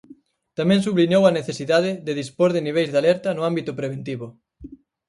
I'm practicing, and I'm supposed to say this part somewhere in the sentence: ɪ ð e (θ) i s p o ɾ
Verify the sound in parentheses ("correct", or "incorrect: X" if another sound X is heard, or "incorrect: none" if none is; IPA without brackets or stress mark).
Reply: incorrect: ð